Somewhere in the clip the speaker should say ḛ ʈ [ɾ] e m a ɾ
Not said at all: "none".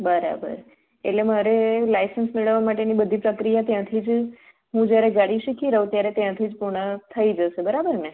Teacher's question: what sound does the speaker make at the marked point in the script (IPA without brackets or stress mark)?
l